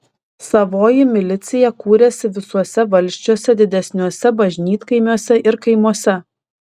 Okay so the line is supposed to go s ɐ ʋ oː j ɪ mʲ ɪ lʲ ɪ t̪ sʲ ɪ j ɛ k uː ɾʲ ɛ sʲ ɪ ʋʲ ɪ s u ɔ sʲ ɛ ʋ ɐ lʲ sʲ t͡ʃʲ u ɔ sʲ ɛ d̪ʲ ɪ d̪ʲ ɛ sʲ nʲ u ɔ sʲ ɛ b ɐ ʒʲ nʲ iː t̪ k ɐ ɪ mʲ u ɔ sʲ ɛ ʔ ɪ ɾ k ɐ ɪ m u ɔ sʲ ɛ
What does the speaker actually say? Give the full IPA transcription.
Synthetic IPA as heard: s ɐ ʋ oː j ɪ mʲ ɪ lʲ ɪ t̪ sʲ ɪ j ɛ k uː ɾʲ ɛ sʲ ɪ ʋʲ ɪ s u ɔ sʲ ɛ ʋ ɐ lʲ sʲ t͡ʃʲ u ɔ sʲ ɛ d̪ʲ ɪ d̪ʲ ɛ sʲ nʲ u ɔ sʲ ɛ b ɐ ʒʲ nʲ iː t̪ k ɐ ɪ mʲ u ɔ sʲ ɛ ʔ ɪ ɾ k ɐ ɪ m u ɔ sʲ ɛ